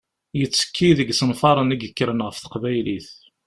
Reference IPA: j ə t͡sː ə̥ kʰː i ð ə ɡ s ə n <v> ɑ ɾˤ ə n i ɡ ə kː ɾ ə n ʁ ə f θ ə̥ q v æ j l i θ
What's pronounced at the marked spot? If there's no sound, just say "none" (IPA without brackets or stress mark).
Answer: f